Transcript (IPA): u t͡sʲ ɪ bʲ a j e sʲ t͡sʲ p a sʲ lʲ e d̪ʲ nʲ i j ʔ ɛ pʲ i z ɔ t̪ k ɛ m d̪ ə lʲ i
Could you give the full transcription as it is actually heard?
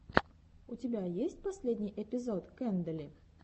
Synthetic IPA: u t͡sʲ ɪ bʲ a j e sʲ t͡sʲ p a sʲ lʲ e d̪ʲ nʲ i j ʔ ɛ pʲ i z ɔ t̪ k ɛ n d̪ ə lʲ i